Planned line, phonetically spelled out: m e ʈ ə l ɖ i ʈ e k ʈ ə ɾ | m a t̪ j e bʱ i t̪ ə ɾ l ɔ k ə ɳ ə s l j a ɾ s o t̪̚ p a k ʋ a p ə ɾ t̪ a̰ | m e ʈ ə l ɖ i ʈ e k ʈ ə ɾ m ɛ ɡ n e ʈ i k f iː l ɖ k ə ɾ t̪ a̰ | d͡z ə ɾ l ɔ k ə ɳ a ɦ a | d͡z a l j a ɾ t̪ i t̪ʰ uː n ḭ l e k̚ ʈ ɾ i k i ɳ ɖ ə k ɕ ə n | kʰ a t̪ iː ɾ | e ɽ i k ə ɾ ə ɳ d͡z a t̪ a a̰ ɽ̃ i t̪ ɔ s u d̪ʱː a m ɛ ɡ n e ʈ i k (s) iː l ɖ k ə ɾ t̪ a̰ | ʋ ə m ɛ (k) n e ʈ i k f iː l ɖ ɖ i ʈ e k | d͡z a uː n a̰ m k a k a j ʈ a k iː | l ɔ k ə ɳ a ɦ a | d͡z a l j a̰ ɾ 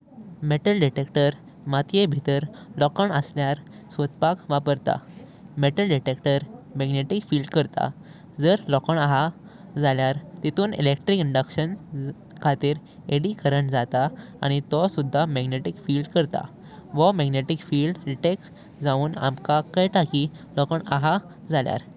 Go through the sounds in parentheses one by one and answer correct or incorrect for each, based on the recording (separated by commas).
incorrect, incorrect